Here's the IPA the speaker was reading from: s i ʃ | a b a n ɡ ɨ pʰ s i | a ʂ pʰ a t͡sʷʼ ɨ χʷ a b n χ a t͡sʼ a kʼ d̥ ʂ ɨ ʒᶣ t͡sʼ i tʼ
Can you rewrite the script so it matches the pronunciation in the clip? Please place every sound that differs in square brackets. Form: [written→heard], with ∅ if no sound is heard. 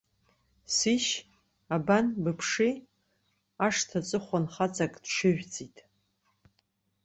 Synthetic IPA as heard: s i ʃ | a b a n [ɡ→b] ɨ pʰ [s→ʂ] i | a ʂ [pʰ→tʰ] a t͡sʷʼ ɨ χʷ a [b→∅] n χ a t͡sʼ a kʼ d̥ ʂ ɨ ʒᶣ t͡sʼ i tʼ